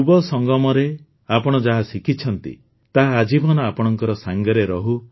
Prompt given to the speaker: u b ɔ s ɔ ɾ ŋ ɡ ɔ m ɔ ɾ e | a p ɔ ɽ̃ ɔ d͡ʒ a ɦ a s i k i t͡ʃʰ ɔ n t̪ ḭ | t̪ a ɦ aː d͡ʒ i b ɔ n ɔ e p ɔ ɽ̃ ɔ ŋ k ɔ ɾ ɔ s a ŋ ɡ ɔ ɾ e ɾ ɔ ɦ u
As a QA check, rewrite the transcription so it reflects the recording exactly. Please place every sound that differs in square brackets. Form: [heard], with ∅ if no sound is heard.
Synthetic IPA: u b ɔ s ɔ [∅] ŋ ɡ ɔ m ɔ ɾ e | a p ɔ ɽ̃ ɔ d͡ʒ a ɦ a s i k i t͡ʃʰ ɔ n t̪ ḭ | t̪ a ɦ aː d͡ʒ i b ɔ n ɔ [a] p ɔ ɽ̃ ɔ ŋ k ɔ ɾ ɔ s a ŋ ɡ ɔ ɾ e ɾ ɔ ɦ u